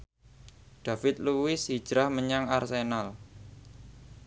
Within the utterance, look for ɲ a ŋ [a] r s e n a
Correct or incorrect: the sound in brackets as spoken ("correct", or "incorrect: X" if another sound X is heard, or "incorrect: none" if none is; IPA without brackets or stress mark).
correct